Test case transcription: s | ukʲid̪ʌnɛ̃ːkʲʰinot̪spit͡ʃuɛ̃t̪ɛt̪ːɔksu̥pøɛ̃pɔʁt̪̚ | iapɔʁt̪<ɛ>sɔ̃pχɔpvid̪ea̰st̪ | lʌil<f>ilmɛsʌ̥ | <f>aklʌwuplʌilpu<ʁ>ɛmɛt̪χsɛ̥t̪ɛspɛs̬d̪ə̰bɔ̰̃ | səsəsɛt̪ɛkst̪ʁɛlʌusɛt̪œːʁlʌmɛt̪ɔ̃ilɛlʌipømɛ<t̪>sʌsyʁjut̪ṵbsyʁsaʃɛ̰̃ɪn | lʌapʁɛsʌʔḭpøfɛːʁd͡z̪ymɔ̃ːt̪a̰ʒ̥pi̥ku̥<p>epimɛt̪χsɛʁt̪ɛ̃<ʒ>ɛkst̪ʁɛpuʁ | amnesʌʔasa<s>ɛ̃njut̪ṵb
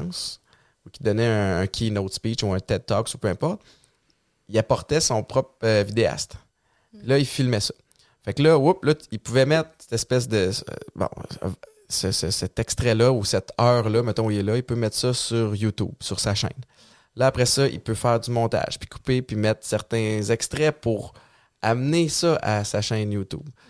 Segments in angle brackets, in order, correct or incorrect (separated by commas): correct, correct, correct, incorrect, correct, correct, incorrect, incorrect